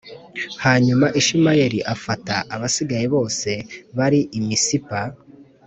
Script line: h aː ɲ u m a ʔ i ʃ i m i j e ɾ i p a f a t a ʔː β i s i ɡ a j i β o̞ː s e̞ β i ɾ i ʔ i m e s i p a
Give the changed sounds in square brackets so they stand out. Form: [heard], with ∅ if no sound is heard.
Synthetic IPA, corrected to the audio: h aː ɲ u m a ʔ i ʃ i m [a] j e ɾ i [ʔ] a f a t a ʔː β [a] s i ɡ a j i β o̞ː s e̞ β [a] ɾ i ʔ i m [i] s i p a